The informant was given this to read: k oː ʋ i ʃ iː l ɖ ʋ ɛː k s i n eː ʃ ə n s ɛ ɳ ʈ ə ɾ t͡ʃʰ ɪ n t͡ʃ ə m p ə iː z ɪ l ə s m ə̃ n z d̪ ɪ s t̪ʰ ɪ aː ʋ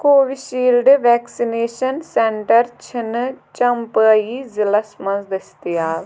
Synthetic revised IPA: k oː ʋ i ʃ iː l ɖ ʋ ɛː k s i n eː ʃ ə n s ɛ ɳ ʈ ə ɾ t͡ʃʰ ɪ n t͡ʃ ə m p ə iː z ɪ l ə s m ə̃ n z d̪ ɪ s t̪ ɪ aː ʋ